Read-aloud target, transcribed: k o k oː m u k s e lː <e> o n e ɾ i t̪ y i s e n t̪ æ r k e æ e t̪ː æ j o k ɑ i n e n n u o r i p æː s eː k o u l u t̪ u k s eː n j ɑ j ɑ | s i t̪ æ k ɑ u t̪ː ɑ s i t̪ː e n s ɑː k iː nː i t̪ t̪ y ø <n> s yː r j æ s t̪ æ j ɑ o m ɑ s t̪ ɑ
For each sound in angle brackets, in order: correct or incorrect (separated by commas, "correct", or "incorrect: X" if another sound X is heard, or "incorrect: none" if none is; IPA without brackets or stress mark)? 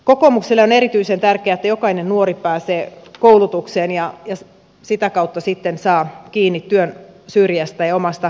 correct, correct